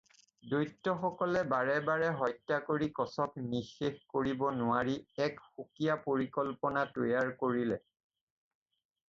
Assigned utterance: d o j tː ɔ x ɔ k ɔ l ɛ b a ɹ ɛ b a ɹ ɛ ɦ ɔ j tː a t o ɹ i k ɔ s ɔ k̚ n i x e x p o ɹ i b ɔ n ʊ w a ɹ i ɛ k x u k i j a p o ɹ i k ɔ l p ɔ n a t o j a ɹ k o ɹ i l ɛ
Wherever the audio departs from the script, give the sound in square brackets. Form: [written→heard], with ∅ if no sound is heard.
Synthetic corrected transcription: d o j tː ɔ x ɔ k ɔ l ɛ b a ɹ ɛ b a ɹ ɛ ɦ ɔ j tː a [t→k] o ɹ i k ɔ s ɔ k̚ n i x e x [p→k] o ɹ i b ɔ n ʊ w a ɹ i ɛ k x u k i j a p o ɹ i k ɔ l p ɔ n a t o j a ɹ k o ɹ i l ɛ

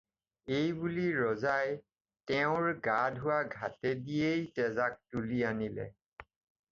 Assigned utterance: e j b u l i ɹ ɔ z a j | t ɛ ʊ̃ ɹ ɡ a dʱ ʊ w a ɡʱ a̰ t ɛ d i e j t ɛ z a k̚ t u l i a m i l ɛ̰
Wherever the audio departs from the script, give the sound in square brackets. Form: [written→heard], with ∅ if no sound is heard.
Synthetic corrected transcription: e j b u l i ɹ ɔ z a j | t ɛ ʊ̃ ɹ ɡ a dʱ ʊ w a ɡʱ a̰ t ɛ d i e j t ɛ z a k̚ t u l i a [m→n] i l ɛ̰

